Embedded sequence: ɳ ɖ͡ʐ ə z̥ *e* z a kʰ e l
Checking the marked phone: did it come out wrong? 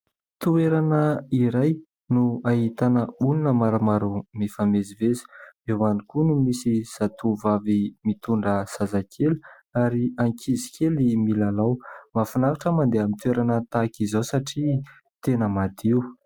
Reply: yes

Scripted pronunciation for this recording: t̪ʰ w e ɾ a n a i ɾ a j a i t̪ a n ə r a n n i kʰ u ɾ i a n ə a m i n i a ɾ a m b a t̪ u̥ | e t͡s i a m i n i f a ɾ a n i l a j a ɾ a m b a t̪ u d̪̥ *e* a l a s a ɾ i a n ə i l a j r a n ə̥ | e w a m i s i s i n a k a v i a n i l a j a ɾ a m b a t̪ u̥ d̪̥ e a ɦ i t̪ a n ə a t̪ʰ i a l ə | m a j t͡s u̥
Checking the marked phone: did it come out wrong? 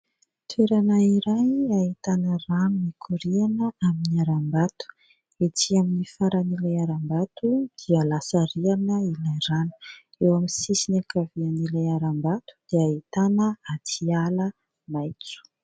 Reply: yes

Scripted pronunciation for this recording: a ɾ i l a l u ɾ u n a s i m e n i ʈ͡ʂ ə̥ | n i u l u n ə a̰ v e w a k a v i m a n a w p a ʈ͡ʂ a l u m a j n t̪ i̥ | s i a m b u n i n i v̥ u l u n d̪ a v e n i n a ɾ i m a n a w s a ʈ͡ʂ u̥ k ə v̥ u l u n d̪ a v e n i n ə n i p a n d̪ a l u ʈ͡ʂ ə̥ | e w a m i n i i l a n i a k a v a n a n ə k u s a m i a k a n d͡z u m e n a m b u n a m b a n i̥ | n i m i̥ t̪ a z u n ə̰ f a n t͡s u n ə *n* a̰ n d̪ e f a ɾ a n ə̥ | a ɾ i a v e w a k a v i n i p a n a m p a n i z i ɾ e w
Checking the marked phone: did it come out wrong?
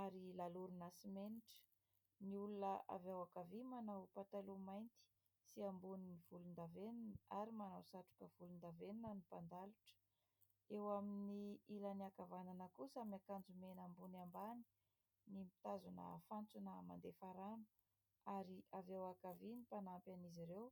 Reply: yes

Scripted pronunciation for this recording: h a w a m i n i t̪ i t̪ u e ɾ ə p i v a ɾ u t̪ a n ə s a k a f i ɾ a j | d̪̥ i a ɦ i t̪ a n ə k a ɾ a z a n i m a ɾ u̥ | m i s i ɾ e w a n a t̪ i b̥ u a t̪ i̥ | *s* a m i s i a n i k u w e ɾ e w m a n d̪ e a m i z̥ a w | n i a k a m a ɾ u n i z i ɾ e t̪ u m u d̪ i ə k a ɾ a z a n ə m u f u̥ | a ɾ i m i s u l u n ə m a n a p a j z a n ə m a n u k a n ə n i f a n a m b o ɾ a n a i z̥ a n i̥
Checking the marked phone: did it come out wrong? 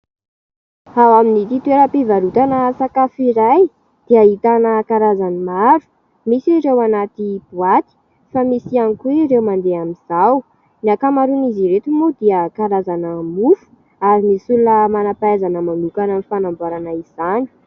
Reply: yes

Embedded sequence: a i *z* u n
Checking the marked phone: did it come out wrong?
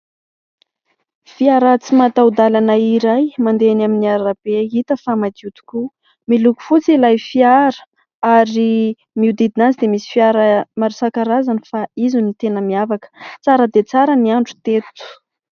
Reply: no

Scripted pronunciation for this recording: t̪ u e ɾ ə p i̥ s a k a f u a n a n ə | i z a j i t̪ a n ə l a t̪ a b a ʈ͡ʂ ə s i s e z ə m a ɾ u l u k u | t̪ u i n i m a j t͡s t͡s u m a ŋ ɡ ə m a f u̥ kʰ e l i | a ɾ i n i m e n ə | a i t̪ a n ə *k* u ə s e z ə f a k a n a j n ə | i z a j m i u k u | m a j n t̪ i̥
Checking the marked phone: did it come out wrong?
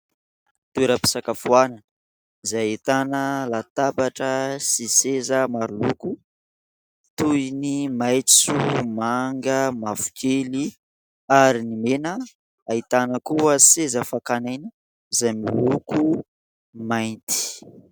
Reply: no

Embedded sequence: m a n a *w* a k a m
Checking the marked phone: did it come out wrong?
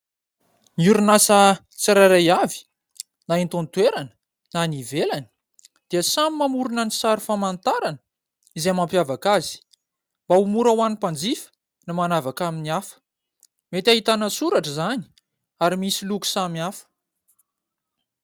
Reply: yes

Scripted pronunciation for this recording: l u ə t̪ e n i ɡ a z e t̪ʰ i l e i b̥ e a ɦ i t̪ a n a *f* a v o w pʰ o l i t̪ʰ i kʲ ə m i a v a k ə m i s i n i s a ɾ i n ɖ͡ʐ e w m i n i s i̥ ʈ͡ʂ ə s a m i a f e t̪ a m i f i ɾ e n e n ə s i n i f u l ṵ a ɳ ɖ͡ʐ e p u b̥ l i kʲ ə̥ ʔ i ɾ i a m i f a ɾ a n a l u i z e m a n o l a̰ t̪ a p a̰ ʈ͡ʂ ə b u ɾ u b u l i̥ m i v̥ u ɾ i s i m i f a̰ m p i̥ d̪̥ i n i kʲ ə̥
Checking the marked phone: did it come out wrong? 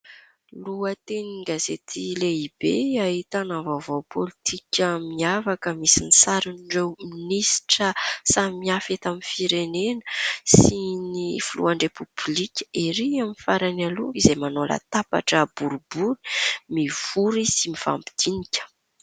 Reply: yes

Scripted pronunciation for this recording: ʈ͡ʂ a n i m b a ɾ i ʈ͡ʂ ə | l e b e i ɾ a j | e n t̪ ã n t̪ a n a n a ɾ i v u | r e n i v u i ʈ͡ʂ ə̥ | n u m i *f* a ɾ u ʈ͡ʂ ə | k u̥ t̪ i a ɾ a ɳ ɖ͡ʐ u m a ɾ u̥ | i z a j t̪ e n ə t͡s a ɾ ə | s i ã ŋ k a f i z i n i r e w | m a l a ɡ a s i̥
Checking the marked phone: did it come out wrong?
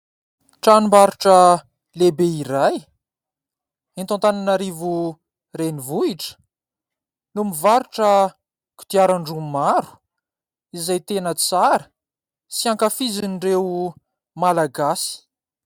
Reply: yes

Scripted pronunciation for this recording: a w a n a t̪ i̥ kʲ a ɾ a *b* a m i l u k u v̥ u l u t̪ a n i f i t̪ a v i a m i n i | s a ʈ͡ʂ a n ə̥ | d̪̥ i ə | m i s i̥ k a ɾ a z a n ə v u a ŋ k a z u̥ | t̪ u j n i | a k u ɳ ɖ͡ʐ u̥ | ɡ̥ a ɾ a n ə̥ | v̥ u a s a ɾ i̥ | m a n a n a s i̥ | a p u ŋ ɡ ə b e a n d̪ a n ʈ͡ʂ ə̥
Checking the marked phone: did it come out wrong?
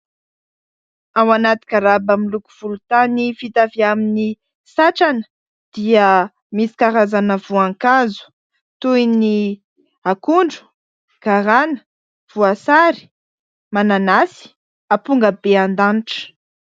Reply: no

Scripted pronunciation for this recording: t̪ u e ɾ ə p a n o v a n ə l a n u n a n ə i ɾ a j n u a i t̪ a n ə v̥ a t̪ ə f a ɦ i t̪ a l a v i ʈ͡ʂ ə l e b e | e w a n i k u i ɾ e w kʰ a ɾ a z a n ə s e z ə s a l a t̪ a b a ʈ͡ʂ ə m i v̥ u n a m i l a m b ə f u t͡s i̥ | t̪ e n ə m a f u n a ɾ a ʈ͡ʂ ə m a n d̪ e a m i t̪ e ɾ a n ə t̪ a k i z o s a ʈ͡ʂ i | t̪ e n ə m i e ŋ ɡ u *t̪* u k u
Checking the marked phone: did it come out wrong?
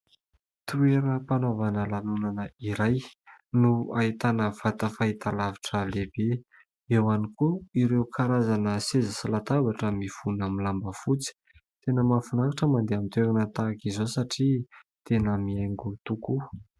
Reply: no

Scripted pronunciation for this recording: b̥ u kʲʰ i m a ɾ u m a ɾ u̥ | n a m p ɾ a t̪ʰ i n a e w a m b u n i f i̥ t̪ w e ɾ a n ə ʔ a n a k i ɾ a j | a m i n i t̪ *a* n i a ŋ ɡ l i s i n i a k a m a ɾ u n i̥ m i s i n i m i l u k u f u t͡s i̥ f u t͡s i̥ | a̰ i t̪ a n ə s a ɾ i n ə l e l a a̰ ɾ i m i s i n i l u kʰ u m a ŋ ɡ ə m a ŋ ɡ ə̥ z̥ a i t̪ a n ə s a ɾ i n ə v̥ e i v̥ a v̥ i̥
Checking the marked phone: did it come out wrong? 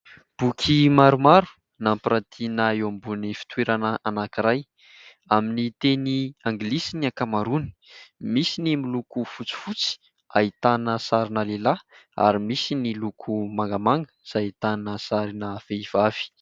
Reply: yes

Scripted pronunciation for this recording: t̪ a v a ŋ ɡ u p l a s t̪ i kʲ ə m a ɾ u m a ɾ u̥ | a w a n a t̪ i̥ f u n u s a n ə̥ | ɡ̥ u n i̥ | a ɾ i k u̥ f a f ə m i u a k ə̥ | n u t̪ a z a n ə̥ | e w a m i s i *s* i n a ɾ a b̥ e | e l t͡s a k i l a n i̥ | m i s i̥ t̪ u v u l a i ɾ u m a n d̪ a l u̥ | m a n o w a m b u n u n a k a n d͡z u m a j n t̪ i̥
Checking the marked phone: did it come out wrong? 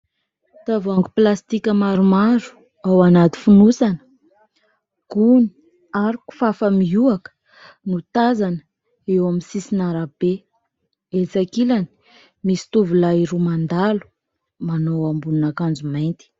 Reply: no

